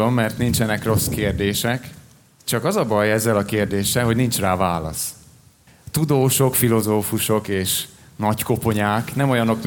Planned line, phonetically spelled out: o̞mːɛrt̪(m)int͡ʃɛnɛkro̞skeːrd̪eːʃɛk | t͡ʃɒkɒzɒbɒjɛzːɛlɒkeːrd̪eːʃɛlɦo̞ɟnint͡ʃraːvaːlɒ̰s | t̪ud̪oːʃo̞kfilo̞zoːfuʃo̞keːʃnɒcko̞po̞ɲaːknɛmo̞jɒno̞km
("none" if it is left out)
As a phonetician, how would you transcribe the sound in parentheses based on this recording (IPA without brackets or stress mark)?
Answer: n